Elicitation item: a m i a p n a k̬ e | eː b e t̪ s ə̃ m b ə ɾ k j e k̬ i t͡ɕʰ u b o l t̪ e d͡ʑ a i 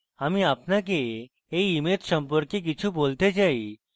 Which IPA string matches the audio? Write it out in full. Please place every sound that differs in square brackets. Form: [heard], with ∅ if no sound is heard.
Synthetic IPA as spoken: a m i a p n a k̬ e | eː [m] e t̪ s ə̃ m [p] ə ɾ k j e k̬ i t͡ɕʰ u b o l t̪ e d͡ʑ a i